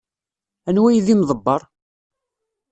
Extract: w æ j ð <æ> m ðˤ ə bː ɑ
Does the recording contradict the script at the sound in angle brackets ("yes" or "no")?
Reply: yes